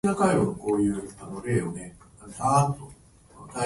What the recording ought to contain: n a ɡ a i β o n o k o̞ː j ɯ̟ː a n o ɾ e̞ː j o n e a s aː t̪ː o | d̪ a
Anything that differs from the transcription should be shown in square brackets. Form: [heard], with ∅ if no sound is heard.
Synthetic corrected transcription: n a [k] a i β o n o k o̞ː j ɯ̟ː a n o ɾ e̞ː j o n e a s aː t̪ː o | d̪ a